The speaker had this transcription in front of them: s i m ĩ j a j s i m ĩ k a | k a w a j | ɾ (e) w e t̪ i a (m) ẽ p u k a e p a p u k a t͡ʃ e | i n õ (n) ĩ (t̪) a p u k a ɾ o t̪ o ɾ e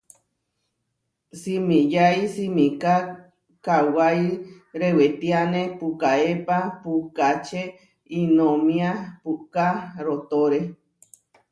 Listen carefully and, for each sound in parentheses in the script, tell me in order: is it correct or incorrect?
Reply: correct, incorrect: n, incorrect: m, incorrect: none

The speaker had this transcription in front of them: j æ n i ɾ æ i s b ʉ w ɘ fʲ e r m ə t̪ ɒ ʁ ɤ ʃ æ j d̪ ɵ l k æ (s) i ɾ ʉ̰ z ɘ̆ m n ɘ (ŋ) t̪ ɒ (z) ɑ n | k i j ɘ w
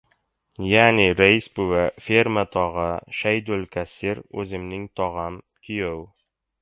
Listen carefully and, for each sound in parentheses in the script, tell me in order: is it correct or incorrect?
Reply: correct, correct, incorrect: ʁ

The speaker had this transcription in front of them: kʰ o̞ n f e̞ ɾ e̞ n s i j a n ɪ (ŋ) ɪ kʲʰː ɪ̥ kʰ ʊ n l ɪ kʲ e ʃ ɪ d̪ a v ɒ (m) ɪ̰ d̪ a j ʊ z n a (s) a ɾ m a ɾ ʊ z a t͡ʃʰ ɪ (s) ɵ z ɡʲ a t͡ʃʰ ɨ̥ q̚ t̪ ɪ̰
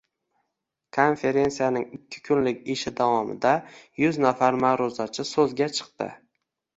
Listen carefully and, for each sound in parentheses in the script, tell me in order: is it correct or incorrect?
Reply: correct, correct, incorrect: f, correct

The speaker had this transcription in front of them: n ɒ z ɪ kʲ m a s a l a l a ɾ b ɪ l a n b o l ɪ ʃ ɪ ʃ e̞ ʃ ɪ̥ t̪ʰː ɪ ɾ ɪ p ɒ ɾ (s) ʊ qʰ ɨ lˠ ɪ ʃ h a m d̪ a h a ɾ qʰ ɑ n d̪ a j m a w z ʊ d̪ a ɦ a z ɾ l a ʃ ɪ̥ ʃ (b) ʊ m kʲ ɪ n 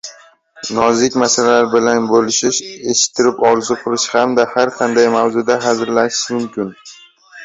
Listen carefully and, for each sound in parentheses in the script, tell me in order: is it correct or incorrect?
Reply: incorrect: z, incorrect: m

